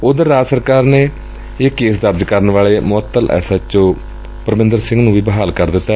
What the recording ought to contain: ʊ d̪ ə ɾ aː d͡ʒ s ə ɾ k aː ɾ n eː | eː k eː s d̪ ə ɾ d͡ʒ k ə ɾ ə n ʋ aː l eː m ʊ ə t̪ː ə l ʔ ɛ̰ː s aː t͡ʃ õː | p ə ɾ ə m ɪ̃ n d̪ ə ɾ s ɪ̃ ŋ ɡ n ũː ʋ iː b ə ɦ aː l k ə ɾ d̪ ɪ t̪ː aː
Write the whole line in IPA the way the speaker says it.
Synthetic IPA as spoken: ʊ d̪ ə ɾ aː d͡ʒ s ə ɾ k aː ɾ n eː | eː k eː s d̪ ə ɾ d͡ʒ k ə ɾ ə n ʋ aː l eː m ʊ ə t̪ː ə l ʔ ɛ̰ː s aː t͡ʃ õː | p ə ɾ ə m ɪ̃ n d̪ ə ɾ s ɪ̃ ŋ ɡ n ũː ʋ iː b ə ɦ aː l k ə ɾ d̪ ɪ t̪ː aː